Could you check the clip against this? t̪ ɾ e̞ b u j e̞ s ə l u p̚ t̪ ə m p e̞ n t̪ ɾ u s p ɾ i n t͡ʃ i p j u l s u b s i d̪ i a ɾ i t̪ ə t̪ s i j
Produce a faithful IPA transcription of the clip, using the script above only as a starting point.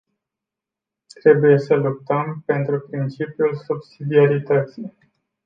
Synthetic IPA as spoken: t̪ ɾ e̞ b u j e̞ s ə l u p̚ t̪ ə m p e̞ n t̪ ɾ u p ɾ i n t͡ʃ i p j u l s u b s i d̪ i a ɾ i t̪ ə t̪ s i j